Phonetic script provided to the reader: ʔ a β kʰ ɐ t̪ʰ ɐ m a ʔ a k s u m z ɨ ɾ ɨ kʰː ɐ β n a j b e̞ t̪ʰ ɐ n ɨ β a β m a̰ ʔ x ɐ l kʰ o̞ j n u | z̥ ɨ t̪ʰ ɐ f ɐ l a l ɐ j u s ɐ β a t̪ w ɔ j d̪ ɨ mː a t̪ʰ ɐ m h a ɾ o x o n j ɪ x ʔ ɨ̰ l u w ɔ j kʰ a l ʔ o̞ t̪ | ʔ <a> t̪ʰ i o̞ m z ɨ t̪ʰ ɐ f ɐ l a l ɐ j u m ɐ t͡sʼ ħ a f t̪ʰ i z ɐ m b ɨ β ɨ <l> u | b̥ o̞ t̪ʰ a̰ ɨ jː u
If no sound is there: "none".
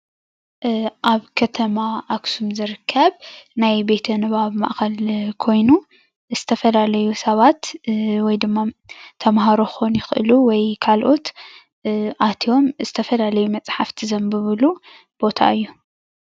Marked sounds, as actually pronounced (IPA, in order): a, l

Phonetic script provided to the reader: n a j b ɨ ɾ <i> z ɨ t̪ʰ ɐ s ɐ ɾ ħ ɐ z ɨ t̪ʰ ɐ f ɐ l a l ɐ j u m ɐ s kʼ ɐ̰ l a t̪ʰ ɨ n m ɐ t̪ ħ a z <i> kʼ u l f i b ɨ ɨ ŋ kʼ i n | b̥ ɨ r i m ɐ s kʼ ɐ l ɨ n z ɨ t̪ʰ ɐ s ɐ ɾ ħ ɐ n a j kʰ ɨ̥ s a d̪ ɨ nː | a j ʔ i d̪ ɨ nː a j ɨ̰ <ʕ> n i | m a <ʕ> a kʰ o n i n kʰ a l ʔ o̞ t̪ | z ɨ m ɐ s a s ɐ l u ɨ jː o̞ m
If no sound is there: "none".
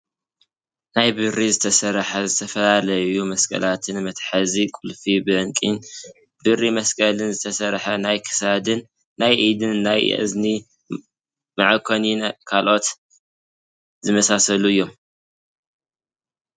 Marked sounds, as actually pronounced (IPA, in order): i, i, z, ʕ

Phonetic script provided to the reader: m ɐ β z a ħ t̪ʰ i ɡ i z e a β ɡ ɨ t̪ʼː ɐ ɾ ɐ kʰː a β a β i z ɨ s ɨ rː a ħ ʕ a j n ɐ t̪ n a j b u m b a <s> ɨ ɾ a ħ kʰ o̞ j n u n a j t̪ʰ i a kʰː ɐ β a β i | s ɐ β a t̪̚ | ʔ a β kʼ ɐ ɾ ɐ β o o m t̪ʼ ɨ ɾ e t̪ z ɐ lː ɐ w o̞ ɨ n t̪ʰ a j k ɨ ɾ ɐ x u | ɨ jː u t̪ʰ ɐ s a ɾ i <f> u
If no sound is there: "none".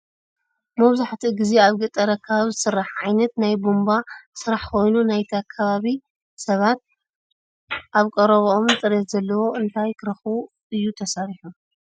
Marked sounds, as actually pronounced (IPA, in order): s, ħ

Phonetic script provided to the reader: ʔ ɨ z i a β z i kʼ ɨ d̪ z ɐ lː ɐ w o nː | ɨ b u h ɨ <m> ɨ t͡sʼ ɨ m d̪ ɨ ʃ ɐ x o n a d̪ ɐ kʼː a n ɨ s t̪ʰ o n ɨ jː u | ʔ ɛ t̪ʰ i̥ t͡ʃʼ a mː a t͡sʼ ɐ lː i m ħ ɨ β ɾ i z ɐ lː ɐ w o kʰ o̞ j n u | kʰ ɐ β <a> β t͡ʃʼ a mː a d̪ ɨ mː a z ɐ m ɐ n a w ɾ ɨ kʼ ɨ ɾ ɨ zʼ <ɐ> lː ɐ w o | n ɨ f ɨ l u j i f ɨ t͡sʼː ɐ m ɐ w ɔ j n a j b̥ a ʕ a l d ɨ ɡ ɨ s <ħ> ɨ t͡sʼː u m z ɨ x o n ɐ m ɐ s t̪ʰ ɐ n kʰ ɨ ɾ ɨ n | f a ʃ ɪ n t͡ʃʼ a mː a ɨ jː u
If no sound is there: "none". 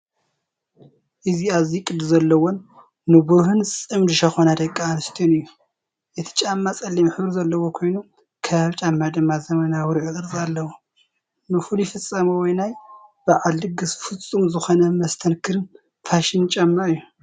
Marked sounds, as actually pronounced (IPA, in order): n, a, a, f

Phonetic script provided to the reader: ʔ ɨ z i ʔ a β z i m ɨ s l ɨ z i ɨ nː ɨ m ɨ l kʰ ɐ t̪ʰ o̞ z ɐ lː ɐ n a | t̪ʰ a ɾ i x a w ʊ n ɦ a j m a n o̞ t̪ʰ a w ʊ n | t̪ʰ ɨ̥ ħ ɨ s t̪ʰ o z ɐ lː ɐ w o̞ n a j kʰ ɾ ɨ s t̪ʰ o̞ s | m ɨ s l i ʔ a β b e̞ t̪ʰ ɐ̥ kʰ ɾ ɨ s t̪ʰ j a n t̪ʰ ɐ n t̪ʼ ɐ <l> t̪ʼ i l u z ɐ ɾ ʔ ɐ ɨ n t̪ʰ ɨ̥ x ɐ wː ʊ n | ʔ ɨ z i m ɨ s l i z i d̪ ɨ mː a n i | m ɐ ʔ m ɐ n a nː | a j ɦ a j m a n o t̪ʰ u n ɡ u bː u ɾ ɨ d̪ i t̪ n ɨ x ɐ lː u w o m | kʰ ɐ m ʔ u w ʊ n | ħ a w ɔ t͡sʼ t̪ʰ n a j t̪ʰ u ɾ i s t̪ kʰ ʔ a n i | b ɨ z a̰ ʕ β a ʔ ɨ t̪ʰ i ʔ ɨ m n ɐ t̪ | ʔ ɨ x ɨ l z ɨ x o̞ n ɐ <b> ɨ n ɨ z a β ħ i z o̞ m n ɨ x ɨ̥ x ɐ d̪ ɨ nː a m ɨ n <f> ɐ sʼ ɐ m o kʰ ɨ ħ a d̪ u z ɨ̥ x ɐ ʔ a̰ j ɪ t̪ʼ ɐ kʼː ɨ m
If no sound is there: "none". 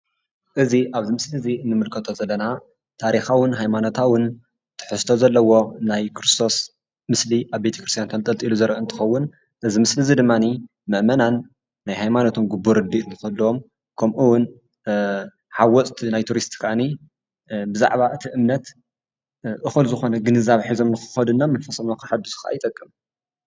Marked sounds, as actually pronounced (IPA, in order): l, ɡ, f

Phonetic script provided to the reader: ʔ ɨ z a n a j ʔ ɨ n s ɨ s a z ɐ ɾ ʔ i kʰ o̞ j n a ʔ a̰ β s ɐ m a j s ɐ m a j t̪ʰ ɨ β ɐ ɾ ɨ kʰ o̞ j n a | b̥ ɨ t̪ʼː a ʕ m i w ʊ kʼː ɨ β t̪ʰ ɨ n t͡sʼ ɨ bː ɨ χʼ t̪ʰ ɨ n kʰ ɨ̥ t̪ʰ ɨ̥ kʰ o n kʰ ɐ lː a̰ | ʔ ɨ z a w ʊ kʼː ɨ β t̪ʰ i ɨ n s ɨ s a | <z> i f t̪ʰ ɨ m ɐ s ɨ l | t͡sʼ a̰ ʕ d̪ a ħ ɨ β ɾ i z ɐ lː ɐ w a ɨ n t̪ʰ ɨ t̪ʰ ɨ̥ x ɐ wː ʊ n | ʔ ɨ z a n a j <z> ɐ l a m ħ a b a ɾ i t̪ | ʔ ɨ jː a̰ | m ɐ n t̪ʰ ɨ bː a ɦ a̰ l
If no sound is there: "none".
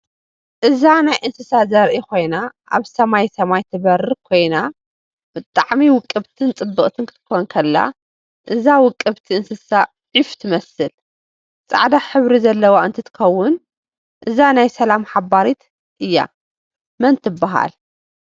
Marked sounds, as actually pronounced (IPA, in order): ʕ, s

